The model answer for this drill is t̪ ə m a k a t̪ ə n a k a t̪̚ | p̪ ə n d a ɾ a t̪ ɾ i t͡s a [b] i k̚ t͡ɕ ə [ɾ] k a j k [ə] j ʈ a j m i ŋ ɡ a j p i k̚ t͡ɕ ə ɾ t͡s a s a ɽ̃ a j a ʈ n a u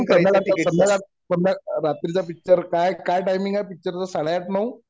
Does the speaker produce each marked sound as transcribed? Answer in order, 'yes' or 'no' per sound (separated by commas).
no, yes, no